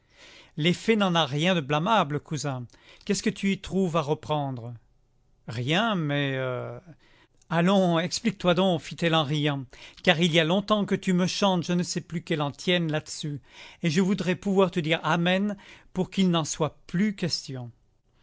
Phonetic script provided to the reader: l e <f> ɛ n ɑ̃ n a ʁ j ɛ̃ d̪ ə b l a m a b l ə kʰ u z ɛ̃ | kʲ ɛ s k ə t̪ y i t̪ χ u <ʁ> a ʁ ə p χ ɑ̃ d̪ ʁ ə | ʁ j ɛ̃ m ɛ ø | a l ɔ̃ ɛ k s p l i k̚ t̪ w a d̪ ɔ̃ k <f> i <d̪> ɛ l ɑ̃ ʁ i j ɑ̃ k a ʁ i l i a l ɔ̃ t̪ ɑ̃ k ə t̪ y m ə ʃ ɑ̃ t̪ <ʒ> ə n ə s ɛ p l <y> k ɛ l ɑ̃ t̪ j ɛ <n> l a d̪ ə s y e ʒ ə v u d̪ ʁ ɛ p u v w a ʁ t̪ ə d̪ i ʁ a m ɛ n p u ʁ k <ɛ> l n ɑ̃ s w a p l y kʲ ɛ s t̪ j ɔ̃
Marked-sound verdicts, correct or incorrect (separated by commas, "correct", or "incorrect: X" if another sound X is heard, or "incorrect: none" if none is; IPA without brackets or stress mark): correct, incorrect: v, correct, incorrect: t̪, correct, correct, correct, incorrect: i